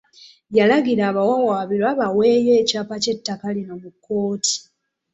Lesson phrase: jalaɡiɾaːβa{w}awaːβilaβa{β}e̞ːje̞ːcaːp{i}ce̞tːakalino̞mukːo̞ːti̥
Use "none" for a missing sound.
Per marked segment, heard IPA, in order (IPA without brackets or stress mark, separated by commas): w, w, a